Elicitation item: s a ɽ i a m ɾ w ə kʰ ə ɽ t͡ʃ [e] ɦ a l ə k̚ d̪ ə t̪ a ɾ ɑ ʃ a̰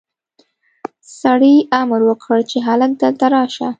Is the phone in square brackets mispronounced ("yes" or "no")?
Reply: no